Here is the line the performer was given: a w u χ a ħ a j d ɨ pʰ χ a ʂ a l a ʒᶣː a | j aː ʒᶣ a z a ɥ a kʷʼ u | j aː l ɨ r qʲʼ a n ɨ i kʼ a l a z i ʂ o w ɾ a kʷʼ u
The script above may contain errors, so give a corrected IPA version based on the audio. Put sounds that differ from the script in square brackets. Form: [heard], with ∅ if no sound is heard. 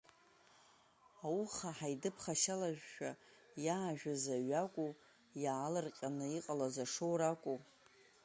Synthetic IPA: a w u χ a ħ a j d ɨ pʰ χ a [ʃ] a l a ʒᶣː a | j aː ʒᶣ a z a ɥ a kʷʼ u | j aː l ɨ r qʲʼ a n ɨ i [qʼ] a l a z [a] ʂ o w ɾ a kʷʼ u